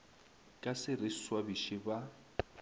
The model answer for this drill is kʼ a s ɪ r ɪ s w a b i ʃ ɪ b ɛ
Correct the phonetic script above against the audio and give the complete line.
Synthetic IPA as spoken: kʼ a s ɪ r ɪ s w a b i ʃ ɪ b a

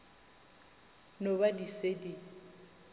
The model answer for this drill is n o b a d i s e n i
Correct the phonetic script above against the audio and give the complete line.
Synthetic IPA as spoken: n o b a d i s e d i

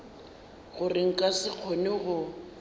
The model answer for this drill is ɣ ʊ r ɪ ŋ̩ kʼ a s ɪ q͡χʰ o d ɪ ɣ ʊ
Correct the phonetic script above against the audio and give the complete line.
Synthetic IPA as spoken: ɣ ʊ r ɪ ŋ̩ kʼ a s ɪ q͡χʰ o n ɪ ɣ ʊ

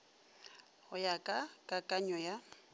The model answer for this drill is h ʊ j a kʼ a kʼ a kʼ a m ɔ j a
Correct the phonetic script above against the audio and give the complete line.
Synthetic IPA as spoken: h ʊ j a kʼ a kʼ a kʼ a ɲ ɔ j a

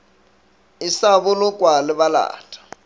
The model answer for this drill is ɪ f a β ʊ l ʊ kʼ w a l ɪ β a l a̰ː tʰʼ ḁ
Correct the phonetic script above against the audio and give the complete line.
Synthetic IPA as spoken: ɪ s a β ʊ l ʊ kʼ w a l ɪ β a l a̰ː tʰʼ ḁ

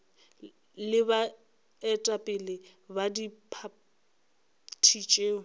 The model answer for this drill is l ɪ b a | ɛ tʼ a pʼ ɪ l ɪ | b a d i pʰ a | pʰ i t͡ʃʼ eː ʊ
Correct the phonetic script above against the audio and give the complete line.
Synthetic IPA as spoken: l ɪ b a | ɛ tʼ a pʼ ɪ l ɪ | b a d i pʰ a | tʰ i t͡ʃʼ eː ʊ

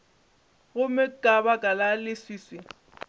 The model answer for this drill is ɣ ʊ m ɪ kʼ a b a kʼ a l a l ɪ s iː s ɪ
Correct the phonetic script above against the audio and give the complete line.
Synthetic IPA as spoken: ɣ ʊ m ɪ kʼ a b a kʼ a l a l ɪ s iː s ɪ

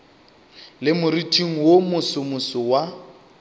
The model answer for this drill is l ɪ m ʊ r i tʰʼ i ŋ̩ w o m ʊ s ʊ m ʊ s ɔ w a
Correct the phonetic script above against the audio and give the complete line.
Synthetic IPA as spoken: l ɪ m ʊ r i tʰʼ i ŋ̩ w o m ʊ s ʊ m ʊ s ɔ w a

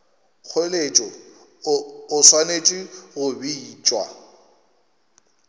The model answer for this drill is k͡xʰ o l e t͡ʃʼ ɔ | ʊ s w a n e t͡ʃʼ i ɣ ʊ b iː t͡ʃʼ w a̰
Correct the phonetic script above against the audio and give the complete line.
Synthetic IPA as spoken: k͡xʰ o l e t͡ʃʼ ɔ | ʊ s w a n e t͡ʃʼ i ɣ ʊ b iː t͡ʃʼ w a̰

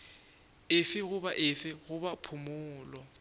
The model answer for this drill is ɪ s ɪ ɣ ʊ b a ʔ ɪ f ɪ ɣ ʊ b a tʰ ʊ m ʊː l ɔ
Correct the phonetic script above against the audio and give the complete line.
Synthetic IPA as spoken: ɪ f ɪ ɣ ʊ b a ʔ ɪ f ɪ ɣ ʊ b a pʰ ʊ m ʊː l ɔ

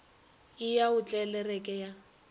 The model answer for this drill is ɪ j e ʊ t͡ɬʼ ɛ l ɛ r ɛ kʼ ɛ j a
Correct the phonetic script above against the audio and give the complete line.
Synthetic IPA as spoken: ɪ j a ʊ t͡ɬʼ ɛ l ɛ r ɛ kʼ ɛ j a

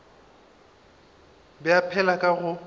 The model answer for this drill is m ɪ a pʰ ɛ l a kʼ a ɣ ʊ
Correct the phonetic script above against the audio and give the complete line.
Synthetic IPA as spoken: b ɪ a pʰ ɛ l a kʼ a ɣ ʊ

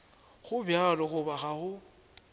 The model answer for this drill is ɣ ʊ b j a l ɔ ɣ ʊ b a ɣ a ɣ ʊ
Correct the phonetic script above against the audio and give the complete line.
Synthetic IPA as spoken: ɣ ʊ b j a l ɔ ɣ ʊ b a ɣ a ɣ ʊ

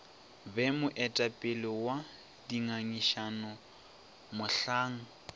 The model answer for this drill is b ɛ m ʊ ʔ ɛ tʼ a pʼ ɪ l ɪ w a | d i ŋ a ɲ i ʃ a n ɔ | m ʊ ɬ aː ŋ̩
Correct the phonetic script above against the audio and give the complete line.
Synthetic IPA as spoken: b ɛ m ʊ ʔ ɛ tʼ a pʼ ɪ l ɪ w a | d i ŋ a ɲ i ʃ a n ɔ | m ʊ ɬ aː ŋ̩

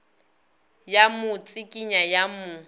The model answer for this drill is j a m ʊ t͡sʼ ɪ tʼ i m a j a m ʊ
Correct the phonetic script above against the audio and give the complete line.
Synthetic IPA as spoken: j a m ʊ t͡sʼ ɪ kʼ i ɲ a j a m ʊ

